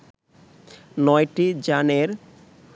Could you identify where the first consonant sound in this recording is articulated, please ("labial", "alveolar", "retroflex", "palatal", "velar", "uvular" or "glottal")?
alveolar